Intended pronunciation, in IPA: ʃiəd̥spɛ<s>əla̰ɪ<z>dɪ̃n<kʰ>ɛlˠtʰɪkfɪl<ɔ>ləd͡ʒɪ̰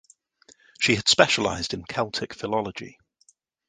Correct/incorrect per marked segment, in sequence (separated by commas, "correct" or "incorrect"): incorrect, correct, correct, incorrect